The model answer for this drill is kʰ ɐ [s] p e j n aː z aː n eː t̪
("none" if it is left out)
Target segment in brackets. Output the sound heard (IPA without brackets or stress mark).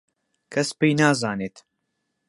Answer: s